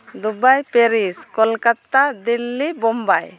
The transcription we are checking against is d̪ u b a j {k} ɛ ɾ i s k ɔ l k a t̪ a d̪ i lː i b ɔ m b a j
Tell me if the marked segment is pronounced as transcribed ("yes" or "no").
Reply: no